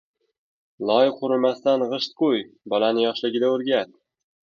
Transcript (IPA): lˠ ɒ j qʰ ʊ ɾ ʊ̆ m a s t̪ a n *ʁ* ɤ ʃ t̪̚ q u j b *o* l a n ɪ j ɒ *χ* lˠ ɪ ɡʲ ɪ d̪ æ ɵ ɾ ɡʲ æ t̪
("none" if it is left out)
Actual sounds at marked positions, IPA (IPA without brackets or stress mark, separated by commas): ʁ, ɒ, ʃ